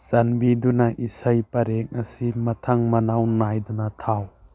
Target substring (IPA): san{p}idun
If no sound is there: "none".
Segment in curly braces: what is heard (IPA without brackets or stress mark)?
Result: b